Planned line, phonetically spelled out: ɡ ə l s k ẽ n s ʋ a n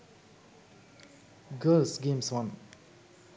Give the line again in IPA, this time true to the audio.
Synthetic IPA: ɡ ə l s ɡ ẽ m s w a n

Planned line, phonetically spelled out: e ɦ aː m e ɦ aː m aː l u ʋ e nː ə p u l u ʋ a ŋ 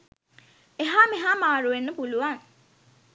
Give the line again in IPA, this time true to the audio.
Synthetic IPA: e ɦ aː m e ɦ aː m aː ɾ u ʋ e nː ə p u l u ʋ a ŋ

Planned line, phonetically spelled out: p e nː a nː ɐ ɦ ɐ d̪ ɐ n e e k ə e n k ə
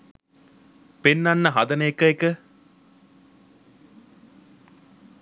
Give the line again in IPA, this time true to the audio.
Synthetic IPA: p e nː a nː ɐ ɦ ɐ d̪ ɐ n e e k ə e k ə

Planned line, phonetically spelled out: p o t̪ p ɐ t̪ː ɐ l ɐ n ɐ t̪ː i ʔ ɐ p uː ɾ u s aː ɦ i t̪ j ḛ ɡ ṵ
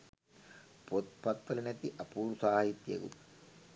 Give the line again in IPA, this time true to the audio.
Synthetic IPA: p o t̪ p ɐ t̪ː ɐ l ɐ n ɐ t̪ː i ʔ ɐ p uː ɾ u s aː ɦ i t̪ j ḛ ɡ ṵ

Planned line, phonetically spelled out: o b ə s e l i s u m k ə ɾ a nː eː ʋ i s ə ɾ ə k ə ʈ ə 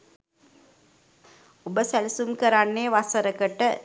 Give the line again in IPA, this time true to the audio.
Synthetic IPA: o b ə s æ l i s u m k ə ɾ a nː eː ʋ a s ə ɾ ə k ə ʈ ə

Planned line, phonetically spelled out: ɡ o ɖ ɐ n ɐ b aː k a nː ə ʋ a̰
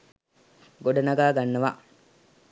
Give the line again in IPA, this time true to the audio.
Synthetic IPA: ɡ o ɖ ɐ n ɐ ɡ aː ɡ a nː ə ʋ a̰

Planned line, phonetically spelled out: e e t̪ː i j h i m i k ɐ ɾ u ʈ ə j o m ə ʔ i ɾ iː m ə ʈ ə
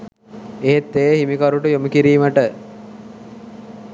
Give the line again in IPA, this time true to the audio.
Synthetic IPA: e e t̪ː e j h i m i k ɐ ɾ u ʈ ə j o m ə k i ɾ iː m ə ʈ ə

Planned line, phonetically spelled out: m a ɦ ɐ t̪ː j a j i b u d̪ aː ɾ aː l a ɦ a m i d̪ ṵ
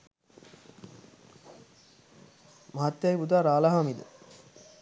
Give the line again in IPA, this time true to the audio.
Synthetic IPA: m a ɦ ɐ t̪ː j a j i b u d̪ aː ɾ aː l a ɦ a m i d̪ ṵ

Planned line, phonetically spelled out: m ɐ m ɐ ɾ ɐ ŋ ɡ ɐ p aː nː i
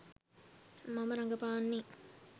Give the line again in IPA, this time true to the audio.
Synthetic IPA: m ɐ m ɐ ɾ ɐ ŋ ɡ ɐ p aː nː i

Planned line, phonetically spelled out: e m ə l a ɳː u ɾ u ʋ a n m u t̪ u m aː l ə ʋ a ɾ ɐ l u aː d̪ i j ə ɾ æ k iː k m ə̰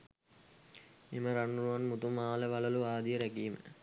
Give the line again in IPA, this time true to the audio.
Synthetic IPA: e m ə ɾ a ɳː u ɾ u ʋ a n m u t̪ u m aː l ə ʋ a l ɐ l u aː d̪ i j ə ɾ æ k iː m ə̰

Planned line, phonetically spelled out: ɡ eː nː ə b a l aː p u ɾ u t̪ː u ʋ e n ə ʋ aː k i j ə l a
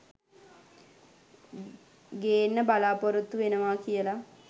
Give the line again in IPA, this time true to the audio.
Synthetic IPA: ɡ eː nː ə b a l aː p o ɾ u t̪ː u ʋ e n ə ʋ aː k i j ə l a

